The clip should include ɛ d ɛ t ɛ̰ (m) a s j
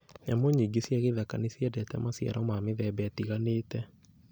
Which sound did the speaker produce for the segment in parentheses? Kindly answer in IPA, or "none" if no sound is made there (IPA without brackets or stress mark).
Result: m